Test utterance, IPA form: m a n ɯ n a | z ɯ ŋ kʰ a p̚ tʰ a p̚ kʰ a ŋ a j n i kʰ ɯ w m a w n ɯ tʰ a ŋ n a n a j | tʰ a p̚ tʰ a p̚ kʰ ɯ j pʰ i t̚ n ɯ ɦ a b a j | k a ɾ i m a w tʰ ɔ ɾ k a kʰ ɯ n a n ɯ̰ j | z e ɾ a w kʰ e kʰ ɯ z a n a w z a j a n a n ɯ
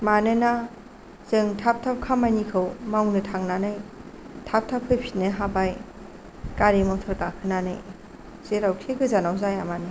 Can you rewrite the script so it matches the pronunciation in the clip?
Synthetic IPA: m a n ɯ n a | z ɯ ŋ tʰ a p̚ tʰ a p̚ kʰ a m a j n i kʰ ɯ w m a w n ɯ tʰ a ŋ n a n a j | tʰ a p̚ tʰ a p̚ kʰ ɯ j pʰ i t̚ n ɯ ɦ a b a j | k a ɾ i m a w tʰ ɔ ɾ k a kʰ ɯ n a n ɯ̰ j | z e ɾ a w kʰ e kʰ ɯ z a n a w z a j a m a n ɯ